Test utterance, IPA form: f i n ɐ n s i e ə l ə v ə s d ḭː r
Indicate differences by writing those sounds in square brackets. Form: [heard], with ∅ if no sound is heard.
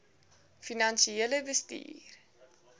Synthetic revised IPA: f i n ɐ n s i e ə l ə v ə s [t] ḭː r